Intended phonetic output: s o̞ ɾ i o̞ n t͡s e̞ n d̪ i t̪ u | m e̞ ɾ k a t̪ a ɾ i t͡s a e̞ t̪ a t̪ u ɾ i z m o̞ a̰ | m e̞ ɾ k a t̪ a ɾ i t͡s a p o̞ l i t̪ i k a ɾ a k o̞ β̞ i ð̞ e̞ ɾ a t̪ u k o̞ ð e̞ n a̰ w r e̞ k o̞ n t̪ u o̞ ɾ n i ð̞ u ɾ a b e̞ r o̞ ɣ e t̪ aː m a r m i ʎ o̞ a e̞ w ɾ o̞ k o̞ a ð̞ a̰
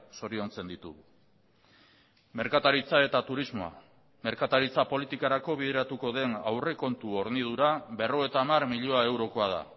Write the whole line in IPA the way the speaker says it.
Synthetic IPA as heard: s o̞ ɾ i o̞ n t͡s e̞ n d̪ i t̪ u | m e̞ ɾ k a t̪ a ɾ i t͡s a e̞ t̪ a t̪ u ɾ i z m o̞ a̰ | m e̞ ɾ k a t̪ a ɾ i t͡s a p o̞ l i t̪ i k a ɾ a k o̞ β̞ i ð̞ e̞ ɾ a t̪ u k o̞ ð e̞ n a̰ w r e̞ k o̞ n t̪ u o̞ ɾ n i ð̞ u ɾ a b e̞ r o̞ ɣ e t̪ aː m a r m i ʎ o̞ a e̞ w ɾ o̞ k o̞ a ð̞ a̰